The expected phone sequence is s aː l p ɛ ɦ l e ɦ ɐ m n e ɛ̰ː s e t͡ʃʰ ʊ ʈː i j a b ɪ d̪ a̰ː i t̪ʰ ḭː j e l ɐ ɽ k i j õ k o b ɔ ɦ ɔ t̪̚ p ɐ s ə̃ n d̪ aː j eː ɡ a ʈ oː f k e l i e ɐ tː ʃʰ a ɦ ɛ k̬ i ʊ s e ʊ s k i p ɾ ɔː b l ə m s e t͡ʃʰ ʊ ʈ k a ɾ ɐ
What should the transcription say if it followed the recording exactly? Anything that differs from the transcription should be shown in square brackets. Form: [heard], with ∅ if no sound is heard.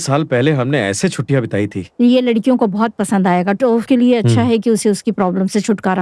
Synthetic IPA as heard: s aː l p ɛ ɦ l e ɦ ɐ m n e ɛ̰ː s e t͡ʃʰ ʊ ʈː i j a b ɪ [t̪] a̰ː i t̪ʰ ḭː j e l ɐ ɽ k i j õ k o b ɔ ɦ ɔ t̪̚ p ɐ s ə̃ n d̪ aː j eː ɡ a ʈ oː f k e l i e ɐ tː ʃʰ a ɦ ɛ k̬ i ʊ s e ʊ s k i p ɾ ɔː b l ə m s e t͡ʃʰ ʊ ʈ k a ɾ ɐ